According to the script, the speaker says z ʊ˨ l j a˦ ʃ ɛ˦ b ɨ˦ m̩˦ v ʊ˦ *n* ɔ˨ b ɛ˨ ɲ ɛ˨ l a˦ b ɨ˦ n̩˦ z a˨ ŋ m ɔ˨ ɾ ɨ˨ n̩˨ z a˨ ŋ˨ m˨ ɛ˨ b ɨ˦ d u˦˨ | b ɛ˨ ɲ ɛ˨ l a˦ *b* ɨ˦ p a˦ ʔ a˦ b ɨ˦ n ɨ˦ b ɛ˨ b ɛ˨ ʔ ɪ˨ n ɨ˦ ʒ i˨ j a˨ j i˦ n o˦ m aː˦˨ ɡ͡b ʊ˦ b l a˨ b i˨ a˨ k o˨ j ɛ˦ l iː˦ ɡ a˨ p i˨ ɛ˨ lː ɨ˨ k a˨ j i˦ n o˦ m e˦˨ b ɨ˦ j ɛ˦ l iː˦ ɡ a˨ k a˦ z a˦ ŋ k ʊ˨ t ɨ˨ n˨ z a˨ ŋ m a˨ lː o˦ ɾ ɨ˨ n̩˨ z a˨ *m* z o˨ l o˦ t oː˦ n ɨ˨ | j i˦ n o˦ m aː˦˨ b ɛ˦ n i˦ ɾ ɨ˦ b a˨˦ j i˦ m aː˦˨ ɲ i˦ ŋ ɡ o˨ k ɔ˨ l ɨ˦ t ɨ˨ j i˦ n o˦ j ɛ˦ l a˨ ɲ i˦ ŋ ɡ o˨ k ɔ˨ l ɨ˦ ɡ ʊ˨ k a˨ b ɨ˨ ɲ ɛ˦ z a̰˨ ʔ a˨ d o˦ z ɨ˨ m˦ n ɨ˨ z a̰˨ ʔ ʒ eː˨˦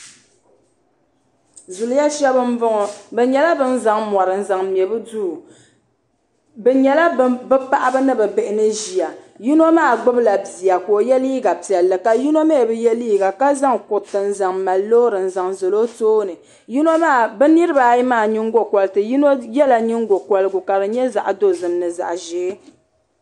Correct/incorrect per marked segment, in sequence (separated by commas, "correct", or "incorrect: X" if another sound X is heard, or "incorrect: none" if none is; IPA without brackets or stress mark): incorrect: ŋ, correct, incorrect: ŋ